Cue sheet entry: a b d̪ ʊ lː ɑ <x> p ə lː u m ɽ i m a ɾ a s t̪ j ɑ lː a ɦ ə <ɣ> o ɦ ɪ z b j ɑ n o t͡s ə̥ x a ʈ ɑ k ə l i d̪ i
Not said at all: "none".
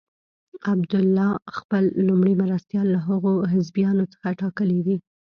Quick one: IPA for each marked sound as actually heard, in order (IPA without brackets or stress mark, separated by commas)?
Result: x, ɣ